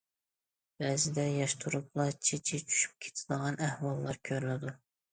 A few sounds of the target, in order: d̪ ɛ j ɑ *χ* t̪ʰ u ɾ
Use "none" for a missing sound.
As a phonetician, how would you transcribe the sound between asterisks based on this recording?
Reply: ʃ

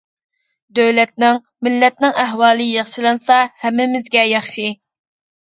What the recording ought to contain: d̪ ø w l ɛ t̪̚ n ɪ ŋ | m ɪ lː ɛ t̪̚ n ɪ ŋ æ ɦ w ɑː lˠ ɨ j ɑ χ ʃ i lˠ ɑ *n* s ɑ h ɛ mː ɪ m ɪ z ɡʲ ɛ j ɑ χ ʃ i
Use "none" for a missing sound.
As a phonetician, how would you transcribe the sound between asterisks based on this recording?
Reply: n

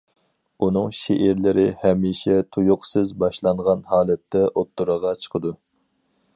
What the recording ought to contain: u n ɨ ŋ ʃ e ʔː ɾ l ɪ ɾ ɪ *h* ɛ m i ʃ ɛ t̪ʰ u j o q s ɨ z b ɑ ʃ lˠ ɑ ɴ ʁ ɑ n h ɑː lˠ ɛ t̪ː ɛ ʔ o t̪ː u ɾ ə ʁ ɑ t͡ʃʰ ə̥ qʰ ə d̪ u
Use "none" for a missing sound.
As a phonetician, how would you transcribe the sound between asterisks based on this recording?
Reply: h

